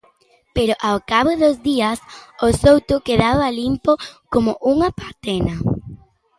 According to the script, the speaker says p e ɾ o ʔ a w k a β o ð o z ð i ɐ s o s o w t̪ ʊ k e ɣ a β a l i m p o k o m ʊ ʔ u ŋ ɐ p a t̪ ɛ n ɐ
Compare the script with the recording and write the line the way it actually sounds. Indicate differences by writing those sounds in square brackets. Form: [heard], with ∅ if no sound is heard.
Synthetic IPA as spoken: p e ɾ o ʔ a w k a β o ð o z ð i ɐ s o s o w t̪ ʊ k e [ð] a β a l i m p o k o m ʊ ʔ u ŋ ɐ p a t̪ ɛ n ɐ